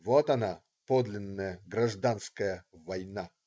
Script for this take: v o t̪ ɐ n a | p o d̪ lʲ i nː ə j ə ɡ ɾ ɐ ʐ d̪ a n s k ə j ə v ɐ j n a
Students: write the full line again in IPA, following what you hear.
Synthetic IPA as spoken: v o t̪ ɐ n a | p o d̪ lʲ ɪ nː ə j ə ɡ ɾ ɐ ʐ d̪ a n s k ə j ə v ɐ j n a